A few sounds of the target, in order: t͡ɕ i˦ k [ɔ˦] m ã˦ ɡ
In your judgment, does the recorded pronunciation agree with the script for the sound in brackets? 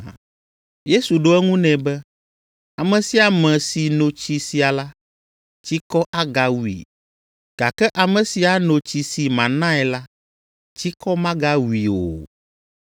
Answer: yes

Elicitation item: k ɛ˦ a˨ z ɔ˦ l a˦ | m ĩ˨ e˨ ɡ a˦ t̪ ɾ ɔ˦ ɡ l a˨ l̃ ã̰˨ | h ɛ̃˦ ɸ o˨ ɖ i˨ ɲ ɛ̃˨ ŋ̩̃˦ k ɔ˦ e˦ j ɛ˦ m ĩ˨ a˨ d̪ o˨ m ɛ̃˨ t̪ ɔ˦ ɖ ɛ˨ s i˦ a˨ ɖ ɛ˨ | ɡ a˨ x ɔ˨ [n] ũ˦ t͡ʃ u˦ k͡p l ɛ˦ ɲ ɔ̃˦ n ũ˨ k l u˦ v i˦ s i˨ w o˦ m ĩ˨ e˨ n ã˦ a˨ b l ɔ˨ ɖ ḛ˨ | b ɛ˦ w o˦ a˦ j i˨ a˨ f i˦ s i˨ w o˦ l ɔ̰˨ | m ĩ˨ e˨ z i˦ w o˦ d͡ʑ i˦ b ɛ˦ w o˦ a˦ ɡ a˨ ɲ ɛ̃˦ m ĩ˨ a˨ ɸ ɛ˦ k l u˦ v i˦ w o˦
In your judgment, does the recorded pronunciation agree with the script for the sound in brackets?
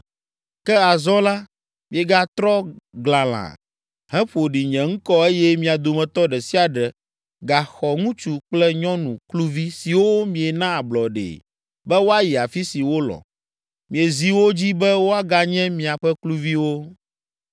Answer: no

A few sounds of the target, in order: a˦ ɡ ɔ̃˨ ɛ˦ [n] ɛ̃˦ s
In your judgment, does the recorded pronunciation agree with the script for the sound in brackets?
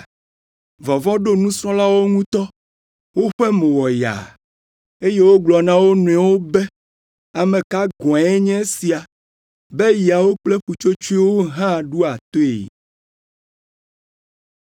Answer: no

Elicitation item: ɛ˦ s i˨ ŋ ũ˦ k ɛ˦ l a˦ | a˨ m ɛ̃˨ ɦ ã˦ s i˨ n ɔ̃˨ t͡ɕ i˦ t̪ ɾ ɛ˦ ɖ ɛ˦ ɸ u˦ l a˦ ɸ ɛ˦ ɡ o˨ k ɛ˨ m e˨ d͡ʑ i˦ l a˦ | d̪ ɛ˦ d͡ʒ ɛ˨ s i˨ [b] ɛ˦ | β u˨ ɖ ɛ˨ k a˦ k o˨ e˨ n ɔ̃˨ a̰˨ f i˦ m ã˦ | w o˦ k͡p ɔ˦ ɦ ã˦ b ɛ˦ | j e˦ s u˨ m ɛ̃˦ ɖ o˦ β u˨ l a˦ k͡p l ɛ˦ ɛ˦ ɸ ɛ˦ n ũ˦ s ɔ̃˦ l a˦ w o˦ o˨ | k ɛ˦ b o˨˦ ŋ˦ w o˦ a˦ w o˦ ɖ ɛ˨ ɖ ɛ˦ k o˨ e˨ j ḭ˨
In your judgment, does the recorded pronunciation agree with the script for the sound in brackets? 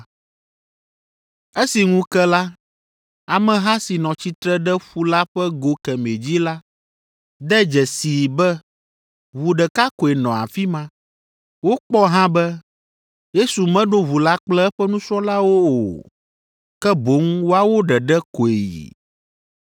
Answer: yes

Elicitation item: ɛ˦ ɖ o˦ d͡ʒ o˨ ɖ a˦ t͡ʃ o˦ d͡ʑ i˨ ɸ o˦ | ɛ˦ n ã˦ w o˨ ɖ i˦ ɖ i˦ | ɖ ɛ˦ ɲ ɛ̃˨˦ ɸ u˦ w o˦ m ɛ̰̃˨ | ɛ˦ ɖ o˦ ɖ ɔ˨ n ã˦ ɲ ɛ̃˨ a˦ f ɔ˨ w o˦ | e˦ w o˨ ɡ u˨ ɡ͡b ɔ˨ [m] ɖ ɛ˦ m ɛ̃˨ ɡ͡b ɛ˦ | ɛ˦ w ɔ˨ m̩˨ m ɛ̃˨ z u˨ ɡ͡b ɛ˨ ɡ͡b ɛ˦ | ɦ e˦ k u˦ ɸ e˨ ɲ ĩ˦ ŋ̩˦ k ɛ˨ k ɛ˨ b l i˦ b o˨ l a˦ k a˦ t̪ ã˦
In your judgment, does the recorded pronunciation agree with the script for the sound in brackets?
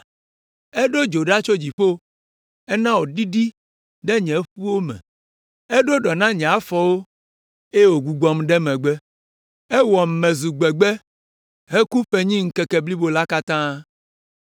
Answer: yes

